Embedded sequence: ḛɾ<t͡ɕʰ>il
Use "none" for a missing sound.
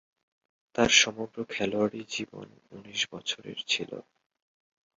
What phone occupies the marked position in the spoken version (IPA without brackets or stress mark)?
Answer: t͡ɕʰ